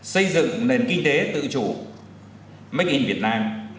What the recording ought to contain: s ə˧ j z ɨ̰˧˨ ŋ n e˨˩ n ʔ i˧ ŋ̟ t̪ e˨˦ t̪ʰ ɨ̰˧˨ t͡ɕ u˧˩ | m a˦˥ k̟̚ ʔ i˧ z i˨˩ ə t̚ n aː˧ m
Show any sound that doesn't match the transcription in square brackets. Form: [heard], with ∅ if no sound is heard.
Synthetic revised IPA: s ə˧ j z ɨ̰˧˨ ŋ n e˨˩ n [k] i˧ ŋ̟ t̪ e˨˦ [t̪] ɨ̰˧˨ t͡ɕ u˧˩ | m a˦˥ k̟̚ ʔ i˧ [v] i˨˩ ə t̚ n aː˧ m